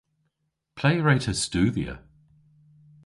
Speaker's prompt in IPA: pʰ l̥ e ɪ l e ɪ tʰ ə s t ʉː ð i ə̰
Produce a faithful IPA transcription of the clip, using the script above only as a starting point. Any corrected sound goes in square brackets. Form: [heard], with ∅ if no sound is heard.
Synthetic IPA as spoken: pʰ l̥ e ɪ [ɹ] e ɪ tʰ ə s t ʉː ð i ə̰